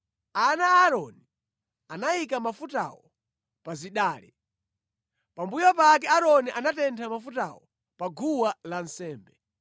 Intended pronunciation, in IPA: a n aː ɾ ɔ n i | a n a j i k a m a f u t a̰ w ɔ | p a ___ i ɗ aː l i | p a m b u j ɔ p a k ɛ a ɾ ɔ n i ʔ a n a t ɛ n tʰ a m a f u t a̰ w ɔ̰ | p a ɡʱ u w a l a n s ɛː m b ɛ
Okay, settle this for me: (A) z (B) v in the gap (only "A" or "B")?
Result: A